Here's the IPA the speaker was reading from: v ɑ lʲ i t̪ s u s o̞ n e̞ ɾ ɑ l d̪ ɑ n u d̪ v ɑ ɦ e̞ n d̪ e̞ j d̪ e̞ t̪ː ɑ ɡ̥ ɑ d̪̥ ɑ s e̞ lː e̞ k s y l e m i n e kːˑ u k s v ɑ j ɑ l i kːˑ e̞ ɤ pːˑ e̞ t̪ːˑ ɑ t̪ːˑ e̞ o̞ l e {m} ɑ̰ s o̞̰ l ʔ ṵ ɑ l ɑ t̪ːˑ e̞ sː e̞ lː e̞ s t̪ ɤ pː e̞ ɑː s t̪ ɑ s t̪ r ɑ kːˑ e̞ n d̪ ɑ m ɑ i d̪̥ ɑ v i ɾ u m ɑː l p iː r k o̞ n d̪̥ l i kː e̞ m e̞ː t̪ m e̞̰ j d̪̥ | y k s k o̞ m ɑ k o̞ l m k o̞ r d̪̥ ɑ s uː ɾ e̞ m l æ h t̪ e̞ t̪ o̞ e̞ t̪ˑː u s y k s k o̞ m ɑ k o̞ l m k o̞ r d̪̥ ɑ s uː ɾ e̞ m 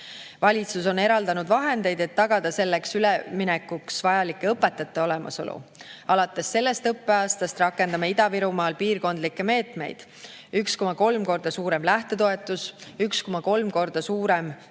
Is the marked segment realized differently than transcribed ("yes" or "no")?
no